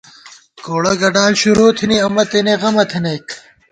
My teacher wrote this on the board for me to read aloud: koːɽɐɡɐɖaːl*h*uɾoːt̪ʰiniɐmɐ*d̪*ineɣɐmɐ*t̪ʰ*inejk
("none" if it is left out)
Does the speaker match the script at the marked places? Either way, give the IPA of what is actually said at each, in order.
ɕ, t̪, t̪ʰ

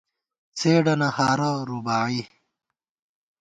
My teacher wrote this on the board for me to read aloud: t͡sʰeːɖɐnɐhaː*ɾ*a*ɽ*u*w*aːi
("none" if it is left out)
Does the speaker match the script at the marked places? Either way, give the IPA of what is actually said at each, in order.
ɾ, ɾ, b

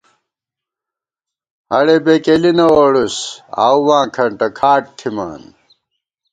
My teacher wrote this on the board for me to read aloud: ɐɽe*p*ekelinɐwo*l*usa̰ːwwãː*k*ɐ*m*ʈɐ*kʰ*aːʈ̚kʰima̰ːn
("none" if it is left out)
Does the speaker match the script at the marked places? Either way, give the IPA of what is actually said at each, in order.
b, ɽ, kʰ, ɳ, kʰ

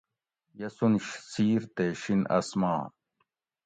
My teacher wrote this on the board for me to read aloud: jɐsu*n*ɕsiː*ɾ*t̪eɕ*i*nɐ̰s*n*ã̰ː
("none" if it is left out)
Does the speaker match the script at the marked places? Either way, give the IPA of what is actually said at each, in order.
n, ɾ, i, m

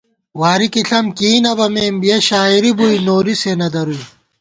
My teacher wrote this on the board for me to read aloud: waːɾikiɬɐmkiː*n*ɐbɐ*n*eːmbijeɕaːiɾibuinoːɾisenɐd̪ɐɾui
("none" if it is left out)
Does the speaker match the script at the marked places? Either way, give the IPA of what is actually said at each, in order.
n, m

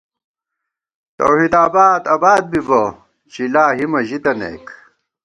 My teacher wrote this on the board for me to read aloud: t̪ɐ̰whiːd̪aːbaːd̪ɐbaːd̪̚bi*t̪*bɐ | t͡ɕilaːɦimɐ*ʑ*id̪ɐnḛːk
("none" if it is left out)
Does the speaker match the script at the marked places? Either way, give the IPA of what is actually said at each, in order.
none, ʑ

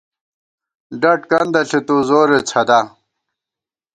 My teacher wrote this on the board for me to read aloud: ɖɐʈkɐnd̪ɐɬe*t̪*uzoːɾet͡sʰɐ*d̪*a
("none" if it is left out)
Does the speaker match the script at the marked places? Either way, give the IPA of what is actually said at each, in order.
t̪, d̪

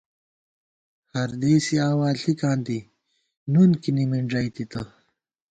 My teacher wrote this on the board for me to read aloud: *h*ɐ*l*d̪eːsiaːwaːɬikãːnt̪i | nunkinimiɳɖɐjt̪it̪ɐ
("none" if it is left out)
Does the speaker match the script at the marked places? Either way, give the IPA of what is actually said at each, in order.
h, ɾ

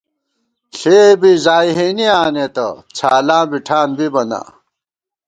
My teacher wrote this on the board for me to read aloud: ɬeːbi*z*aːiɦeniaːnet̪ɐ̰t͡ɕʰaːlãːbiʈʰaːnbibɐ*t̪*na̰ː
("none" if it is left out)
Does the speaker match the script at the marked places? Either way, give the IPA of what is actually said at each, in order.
z, none

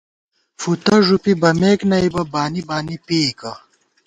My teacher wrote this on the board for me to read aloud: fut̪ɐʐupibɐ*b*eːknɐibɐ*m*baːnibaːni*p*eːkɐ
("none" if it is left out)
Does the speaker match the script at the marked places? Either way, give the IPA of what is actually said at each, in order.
m, none, p

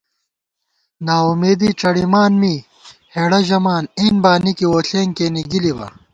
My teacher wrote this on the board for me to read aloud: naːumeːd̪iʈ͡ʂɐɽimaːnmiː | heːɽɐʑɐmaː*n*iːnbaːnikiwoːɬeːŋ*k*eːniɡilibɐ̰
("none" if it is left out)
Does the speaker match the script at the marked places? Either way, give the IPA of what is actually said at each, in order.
n, k

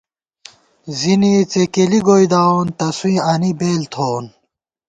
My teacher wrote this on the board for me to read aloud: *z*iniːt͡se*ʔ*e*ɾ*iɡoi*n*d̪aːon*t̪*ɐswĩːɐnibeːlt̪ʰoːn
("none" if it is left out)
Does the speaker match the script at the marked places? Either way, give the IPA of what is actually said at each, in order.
z, k, l, none, t̪

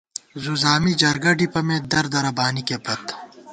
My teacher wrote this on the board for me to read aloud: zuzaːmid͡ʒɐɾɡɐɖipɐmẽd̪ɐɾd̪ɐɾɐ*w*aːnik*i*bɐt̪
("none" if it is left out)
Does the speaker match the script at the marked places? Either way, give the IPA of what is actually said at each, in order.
b, e

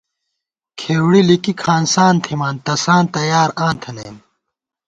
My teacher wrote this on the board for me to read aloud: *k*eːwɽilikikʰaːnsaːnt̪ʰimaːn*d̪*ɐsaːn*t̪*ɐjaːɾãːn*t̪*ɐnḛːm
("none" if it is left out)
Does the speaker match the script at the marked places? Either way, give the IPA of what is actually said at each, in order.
kʰ, t̪, t̪, t̪ʰ

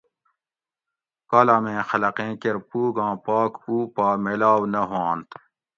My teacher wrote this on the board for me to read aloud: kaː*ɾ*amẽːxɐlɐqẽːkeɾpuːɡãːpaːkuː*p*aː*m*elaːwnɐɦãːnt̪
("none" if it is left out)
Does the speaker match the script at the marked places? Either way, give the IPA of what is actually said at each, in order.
l, p, m

